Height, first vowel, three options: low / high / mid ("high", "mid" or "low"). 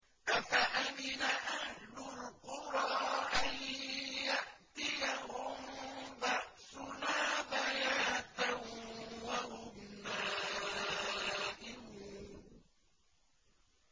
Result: low